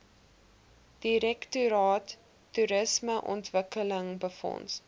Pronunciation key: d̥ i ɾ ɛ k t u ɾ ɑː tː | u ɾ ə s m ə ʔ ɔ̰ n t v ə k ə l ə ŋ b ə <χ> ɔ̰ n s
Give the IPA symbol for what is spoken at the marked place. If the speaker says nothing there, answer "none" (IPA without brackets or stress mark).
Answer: f